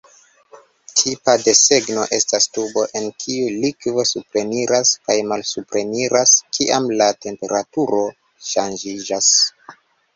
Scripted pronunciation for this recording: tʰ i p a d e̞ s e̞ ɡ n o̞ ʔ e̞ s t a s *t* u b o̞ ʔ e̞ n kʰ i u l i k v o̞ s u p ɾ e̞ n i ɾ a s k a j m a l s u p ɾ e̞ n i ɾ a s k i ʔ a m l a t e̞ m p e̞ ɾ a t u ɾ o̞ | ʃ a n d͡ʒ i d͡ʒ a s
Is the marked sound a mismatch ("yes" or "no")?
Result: no